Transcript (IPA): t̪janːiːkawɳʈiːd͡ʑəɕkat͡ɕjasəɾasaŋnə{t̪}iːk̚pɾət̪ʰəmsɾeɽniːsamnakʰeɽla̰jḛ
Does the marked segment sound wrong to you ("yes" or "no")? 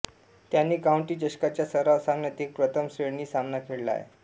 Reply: no